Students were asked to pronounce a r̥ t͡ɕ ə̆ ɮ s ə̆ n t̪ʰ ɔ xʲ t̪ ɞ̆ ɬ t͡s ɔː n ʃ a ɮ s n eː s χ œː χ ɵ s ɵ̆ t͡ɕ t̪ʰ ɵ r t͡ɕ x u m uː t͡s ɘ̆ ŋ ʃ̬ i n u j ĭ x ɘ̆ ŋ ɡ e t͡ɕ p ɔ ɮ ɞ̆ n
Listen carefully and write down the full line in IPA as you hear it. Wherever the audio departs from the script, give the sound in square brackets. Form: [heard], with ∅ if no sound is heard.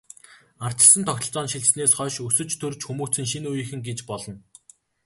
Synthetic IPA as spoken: a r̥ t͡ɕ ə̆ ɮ s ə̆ n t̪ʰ ɔ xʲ t̪ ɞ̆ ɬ t͡s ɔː n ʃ [i] ɮ s n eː s χ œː [ʃ] ɵ s ɵ̆ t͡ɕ t̪ʰ ɵ r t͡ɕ x u m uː t͡s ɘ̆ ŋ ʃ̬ i n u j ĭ x ɘ̆ ŋ ɡ e t͡ɕ p ɔ ɮ ɞ̆ n